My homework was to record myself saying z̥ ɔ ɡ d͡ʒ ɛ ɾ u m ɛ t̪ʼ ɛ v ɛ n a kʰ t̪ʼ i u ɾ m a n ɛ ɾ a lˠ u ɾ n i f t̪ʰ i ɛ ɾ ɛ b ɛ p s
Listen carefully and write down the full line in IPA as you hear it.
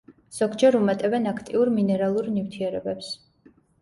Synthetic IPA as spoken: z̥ ɔ ɡ d͡ʒ ɛ ɾ u m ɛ t̪ʼ ɛ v ɛ n a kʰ t̪ʼ i u ɾ m i n ɛ ɾ a lˠ u ɾ n i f t̪ʰ i ɛ ɾ ɛ b ɛ p s